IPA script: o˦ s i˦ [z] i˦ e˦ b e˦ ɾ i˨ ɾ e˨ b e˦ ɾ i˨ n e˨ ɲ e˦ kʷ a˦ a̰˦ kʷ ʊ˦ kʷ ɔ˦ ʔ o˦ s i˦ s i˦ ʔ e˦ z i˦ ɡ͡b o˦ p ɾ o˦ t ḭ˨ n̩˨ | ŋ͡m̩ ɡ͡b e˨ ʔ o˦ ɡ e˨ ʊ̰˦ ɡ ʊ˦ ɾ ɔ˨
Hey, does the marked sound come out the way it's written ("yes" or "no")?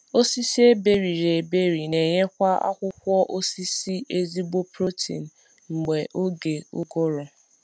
no